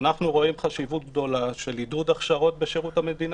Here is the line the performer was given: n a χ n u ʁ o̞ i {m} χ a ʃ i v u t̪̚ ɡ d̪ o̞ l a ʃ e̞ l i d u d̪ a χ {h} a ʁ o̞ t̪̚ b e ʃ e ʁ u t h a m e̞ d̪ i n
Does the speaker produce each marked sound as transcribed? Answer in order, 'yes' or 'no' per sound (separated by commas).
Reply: yes, no